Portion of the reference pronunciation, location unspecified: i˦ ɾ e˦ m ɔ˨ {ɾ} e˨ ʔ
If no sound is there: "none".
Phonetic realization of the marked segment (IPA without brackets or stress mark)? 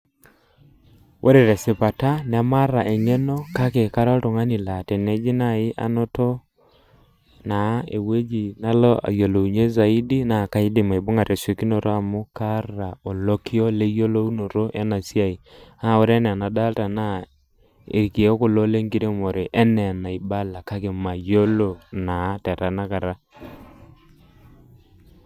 ɾ